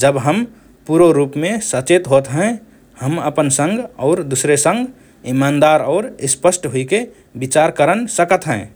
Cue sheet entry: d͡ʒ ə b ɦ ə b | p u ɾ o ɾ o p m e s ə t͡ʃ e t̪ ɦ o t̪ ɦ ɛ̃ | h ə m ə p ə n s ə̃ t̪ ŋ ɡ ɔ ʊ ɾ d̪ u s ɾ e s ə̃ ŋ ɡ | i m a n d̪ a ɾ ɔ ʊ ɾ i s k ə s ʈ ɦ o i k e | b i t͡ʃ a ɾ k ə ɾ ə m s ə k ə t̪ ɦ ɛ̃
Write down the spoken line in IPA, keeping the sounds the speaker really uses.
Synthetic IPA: d͡ʒ ə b ɦ ə m | p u ɾ o ɾ u p m e s ə t͡ʃ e t̪ ɦ o t̪ ɦ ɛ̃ | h ə m ə p ə n s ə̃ ŋ ɡ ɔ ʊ ɾ d̪ u s ɾ e s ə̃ ŋ ɡ | i m a n d̪ a ɾ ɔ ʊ ɾ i s p ə s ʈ ɦ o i k e | b i t͡ʃ a ɾ k ə ɾ ə n s ə k ə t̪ ɦ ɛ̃

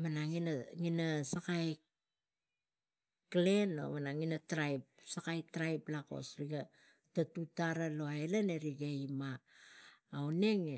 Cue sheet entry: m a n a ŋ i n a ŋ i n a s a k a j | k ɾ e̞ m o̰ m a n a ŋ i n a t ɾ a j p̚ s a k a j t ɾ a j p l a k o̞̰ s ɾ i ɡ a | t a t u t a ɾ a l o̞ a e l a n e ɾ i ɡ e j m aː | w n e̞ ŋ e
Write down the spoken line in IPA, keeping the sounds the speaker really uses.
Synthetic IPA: m a n a ŋ i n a ŋ i n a s a k a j | k l e̞ n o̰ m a n a ŋ i n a t ɾ a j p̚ s a k a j t ɾ a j p l a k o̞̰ s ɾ i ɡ a | t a t u t a ɾ a l o̞ a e l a n e ɾ i ɡ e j m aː | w n e̞ ŋ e

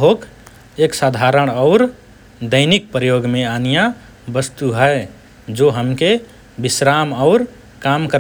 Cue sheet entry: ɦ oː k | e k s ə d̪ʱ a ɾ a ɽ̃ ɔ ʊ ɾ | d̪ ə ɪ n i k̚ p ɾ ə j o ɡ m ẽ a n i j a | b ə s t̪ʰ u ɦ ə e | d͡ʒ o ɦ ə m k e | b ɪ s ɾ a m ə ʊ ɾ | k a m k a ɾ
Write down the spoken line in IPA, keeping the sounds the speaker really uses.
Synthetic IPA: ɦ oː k | e k s a d̪ʱ a ɾ ə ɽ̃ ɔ ʊ ɾ | d̪ ə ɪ n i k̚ p ɾ ə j o ɡ m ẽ a n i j a | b ə s t̪ u ɦ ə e | d͡ʒ o ɦ ə m k e | b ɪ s ɾ a m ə ʊ ɾ | k a m k ə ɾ

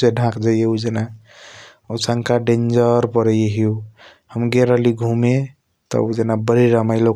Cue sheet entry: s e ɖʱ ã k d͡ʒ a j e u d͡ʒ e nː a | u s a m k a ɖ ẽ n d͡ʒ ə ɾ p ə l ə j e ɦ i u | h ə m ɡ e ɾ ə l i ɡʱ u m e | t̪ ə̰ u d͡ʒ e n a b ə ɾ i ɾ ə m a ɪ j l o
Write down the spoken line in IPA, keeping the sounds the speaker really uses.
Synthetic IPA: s e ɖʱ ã k d͡ʒ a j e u d͡ʒ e n a | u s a ŋ k a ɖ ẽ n d͡ʒ ə ɾ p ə ɾ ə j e ɦ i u | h ə m ɡ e ɾ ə l i ɡʱ u m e | t̪ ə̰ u d͡ʒ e n a b ə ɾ i ɾ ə m a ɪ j l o

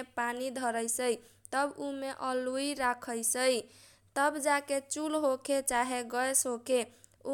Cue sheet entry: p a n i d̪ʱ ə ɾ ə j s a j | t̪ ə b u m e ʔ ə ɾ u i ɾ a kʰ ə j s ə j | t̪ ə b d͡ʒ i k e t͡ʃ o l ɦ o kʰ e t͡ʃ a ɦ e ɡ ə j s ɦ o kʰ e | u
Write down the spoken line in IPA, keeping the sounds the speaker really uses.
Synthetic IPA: p a n i d̪ʱ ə ɾ ə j s ə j | t̪ ə b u m e ʔ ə l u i ɾ a kʰ ə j s ə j | t̪ ə b d͡ʒ a k e t͡ʃ u l ɦ o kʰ e t͡ʃ a ɦ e ɡ ə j s ɦ o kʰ e | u

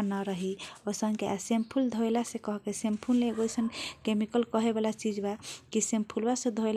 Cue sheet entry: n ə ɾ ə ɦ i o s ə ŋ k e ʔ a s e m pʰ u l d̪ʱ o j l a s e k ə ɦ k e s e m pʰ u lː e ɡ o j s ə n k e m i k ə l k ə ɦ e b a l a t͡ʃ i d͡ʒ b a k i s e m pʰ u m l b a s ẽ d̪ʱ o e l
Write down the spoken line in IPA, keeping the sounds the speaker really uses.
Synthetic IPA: n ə ɾ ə ɦ i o s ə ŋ k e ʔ a s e m pʰ u l d̪ʱ o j l a s e k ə ɦ k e s e m pʰ u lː e ɡ o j s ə n k e m i k ə l k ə ɦ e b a l a t͡ʃ i d͡ʒ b a k i s e m pʰ u l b a s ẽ d̪ʱ o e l

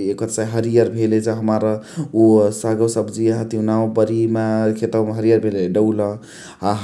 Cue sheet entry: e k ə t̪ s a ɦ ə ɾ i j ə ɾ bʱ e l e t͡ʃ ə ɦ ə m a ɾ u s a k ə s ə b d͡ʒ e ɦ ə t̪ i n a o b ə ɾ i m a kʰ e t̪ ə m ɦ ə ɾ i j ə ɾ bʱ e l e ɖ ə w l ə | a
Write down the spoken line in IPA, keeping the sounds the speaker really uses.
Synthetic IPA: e k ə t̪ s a ɦ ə ɾ i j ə ɾ bʱ e l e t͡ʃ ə ɦ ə m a ɾ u s a ɡ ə s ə b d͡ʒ i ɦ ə t̪ i n a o b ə ɾ i m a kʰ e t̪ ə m ɦ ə ɾ i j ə ɾ bʱ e l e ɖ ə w l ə | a

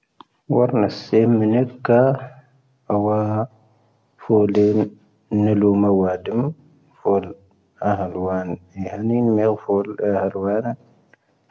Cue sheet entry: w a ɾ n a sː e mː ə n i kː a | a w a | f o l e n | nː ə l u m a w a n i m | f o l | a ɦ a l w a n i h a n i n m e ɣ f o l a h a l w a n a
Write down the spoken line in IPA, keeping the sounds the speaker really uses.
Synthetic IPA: w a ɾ n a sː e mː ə n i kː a | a w a | f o l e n | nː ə l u m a w a d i m | f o l | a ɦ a l w a n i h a n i n m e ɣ f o l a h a l w a n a

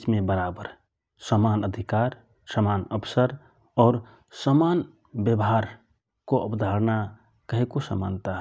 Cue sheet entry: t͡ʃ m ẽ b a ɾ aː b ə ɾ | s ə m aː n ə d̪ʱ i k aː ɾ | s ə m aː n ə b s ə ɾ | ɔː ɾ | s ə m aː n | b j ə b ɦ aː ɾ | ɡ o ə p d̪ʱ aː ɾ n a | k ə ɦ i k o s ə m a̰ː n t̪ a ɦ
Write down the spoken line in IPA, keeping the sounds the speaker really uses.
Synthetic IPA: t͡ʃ m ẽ b ə ɾ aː b ə ɾ | s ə m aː n ə d̪ʱ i k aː ɾ | s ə m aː n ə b s ə ɾ | ɔː ɾ | s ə m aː n | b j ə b ɦ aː ɾ | k o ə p d̪ʱ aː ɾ n a | k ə ɦ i k o s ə m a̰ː n t̪ a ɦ

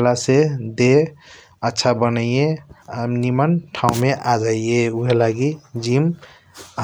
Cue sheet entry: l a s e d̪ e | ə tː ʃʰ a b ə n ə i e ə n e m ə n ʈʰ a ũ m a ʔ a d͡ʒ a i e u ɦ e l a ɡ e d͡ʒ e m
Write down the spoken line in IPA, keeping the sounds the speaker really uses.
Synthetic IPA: l a s e d̪ e | ə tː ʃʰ a b ə n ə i e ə n i m ə n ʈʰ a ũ m e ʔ a d͡ʒ a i e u ɦ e l a ɡ i d͡ʒ i m

